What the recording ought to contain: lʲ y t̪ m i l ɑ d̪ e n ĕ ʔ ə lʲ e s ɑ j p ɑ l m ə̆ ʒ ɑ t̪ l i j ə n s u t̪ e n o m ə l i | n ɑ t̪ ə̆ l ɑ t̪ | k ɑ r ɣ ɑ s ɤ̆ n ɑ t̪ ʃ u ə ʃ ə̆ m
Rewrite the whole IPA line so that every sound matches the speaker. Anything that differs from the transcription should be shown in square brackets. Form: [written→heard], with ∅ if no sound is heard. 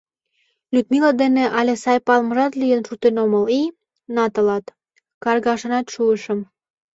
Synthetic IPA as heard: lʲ y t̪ m i l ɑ d̪ e n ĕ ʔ [ə→ɑ] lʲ e s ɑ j p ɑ l m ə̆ ʒ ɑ t̪ l i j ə n [s→ʃ] u t̪ e n o m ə l i | n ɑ t̪ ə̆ l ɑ t̪ | k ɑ r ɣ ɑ [s→ʃ] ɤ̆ n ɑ t̪ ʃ u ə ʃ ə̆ m